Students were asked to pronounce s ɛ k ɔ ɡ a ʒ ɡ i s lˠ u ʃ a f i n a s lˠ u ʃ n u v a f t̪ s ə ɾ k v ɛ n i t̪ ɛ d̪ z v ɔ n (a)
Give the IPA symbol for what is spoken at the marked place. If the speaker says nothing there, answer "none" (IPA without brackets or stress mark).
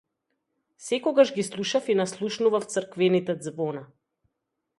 a